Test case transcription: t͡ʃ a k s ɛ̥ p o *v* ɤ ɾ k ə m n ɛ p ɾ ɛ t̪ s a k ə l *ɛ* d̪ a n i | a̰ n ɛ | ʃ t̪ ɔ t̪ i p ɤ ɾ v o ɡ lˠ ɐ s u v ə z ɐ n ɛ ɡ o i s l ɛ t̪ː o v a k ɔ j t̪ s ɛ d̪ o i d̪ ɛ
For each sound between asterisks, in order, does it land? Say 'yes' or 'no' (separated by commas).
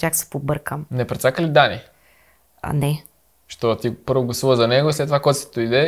no, no